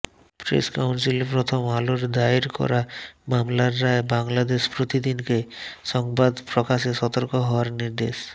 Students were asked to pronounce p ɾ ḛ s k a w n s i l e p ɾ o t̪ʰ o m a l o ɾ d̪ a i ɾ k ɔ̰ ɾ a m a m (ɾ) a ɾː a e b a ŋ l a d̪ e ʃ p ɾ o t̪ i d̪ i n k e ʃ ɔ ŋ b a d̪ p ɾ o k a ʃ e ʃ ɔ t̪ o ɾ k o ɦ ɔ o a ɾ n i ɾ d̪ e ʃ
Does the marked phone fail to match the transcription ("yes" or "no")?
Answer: yes